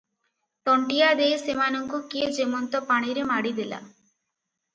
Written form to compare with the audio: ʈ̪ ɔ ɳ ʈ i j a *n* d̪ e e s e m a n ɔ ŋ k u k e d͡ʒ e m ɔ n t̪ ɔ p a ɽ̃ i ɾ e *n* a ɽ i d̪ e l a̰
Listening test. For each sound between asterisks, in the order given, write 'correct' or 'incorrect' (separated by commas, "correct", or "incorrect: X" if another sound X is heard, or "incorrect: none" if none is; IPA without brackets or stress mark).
incorrect: none, incorrect: m